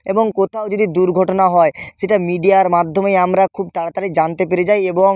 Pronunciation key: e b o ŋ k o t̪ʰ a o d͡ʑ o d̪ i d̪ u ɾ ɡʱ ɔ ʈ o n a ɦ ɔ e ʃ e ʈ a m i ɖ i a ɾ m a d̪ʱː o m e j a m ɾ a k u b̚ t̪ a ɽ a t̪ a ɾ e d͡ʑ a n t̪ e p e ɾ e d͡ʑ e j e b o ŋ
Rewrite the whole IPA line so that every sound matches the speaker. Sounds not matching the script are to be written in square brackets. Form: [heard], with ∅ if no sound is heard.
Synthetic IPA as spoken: e b o ŋ k o t̪ʰ a o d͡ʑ o d̪ i d̪ u ɾ ɡʱ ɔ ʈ o n a ɦ ɔ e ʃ e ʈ a m i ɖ i a ɾ m a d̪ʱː o m e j a m ɾ a [kʰ] u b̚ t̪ a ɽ a t̪ a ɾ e d͡ʑ a n t̪ e p e ɾ e d͡ʑ [a] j e b o ŋ